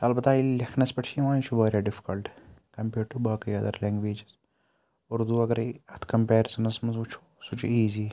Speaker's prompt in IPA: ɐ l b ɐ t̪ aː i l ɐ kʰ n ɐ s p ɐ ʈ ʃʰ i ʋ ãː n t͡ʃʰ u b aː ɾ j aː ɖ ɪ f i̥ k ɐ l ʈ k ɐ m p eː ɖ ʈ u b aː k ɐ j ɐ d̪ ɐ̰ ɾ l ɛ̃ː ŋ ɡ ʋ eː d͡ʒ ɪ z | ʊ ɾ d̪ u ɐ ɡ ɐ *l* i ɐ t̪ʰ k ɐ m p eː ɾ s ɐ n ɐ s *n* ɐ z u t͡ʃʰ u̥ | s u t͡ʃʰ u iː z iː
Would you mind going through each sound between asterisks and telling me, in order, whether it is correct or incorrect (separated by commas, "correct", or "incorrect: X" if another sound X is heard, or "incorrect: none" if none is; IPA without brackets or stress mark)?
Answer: incorrect: ɾ, incorrect: m